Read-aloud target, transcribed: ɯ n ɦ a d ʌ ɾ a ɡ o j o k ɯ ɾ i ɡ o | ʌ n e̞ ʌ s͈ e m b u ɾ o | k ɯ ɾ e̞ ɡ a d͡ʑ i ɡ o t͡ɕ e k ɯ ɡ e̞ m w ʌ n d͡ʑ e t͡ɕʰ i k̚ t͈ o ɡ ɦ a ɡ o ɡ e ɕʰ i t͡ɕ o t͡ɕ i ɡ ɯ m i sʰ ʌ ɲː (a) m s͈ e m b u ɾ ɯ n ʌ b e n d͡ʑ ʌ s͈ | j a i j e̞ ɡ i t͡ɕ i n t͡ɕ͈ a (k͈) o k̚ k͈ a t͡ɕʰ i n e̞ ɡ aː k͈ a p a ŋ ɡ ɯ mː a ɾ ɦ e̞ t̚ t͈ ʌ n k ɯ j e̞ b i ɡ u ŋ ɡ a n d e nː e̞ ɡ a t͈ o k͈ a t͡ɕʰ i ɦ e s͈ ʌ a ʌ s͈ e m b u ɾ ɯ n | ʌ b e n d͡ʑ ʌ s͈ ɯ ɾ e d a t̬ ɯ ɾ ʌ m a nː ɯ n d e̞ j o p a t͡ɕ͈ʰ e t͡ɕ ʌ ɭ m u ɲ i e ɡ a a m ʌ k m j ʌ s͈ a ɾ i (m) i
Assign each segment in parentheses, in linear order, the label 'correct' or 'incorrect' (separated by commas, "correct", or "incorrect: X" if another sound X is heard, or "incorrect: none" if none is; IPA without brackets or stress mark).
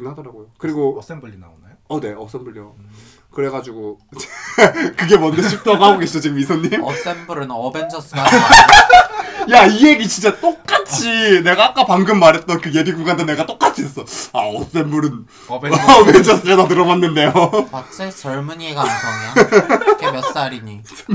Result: incorrect: i, incorrect: t͈, incorrect: ɲ